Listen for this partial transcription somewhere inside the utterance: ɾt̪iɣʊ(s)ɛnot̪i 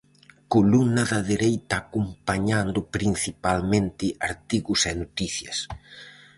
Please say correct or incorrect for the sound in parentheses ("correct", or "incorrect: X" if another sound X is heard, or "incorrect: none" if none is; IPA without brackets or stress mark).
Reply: correct